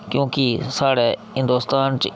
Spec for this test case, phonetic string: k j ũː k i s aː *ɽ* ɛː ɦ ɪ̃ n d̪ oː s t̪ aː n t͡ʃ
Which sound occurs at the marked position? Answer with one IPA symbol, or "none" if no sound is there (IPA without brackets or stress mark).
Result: ɽ